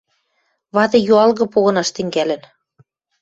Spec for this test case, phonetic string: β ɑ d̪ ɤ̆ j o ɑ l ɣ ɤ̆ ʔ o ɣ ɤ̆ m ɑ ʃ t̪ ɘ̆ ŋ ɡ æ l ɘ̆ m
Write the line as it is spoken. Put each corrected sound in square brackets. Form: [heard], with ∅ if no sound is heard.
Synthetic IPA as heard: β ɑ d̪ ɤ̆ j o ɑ l ɣ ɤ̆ [p] o ɣ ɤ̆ [n] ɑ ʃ t̪ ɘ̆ ŋ ɡ æ l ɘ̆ [n]